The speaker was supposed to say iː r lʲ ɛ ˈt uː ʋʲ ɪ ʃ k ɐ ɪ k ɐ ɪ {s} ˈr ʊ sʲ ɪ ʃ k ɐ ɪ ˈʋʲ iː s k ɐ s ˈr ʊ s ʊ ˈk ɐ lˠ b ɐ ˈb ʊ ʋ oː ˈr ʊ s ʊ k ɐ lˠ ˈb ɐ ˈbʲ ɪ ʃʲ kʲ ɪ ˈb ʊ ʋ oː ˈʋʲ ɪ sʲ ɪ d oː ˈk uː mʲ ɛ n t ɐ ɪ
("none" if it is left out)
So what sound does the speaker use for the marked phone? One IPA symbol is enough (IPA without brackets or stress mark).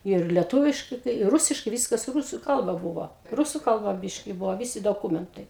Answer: none